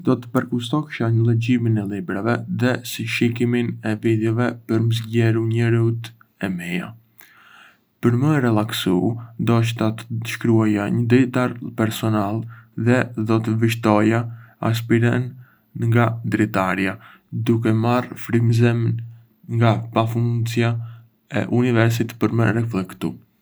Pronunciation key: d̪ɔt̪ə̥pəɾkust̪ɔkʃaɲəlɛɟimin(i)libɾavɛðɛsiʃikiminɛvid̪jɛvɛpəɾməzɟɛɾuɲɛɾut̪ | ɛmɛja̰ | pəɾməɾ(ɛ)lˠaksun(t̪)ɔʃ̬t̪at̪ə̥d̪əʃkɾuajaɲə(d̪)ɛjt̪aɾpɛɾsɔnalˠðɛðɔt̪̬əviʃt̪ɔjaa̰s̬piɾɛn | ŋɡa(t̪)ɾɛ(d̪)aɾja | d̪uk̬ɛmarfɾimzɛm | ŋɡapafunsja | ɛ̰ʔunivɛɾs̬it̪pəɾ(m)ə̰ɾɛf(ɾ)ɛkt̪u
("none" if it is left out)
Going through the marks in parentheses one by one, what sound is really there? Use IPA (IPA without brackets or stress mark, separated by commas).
ɛ, ɛ, d̪, d̪, d̪, t̪, m, l